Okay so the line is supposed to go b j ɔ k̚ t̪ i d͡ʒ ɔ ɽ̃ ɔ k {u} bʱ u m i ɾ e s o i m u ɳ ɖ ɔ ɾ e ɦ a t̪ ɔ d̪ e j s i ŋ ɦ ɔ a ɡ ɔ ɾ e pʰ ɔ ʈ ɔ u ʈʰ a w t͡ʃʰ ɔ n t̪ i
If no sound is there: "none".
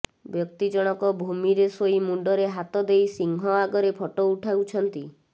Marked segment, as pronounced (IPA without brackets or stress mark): ɔ